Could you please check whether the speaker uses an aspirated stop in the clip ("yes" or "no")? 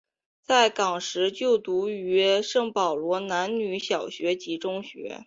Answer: no